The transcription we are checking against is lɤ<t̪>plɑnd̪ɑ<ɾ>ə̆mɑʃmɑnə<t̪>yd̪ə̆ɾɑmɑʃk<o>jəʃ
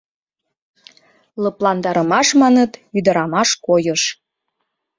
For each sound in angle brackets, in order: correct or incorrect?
incorrect: none, correct, correct, correct

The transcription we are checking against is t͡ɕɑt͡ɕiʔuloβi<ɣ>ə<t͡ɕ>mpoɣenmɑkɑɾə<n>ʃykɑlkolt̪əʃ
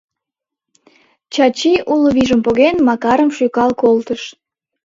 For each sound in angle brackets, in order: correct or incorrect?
incorrect: ʒ, incorrect: none, incorrect: m

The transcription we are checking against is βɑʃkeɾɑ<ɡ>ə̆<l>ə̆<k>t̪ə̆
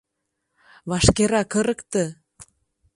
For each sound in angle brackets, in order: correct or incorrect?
incorrect: k, incorrect: ɾ, correct

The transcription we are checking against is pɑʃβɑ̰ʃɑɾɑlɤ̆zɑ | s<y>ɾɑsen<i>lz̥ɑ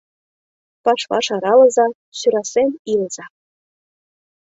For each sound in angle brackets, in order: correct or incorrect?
correct, correct

